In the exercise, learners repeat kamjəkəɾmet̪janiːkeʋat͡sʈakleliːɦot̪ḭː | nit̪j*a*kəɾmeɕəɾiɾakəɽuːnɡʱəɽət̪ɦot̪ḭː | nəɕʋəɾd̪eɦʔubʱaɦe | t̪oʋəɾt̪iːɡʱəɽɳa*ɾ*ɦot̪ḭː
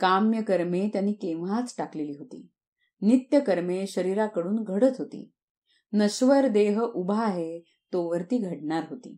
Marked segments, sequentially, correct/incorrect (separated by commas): incorrect, correct